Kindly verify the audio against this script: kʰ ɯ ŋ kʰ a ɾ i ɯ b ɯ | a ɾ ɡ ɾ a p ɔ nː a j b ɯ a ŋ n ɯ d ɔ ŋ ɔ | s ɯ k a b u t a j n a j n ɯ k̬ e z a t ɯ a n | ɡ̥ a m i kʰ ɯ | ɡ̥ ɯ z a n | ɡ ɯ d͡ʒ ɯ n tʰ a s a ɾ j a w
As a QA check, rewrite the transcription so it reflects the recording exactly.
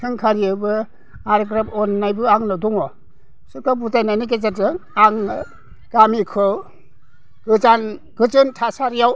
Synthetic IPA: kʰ ɯ ŋ kʰ a ɾ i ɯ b ɯ | a ɾ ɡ ɾ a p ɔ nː a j b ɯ a ŋ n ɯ d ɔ ŋ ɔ | s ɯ k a b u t a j n a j n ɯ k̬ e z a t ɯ a ŋ | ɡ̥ a m i kʰ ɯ | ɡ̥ ɯ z a n | ɡ ɯ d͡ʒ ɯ n tʰ a s a ɾ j a w